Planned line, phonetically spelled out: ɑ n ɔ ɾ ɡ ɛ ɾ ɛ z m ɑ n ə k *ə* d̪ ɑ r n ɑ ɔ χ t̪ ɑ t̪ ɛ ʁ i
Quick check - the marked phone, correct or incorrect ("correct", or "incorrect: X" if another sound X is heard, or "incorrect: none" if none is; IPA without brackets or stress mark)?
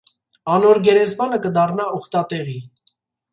correct